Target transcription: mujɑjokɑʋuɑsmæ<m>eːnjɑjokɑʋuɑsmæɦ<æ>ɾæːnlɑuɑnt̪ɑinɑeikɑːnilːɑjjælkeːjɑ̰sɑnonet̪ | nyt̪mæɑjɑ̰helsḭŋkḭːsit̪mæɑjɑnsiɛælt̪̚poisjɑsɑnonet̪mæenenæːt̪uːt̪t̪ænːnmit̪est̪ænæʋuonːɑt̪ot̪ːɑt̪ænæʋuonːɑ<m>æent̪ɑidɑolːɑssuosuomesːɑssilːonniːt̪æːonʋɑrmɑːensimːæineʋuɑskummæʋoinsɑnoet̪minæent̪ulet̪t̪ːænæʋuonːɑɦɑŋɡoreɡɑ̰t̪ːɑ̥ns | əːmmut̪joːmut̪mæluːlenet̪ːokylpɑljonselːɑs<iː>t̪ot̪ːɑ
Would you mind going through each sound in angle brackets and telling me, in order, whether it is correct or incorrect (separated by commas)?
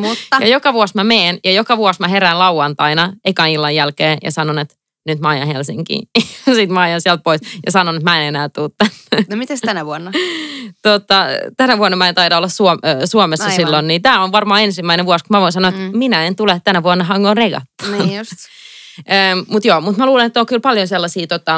correct, incorrect, correct, correct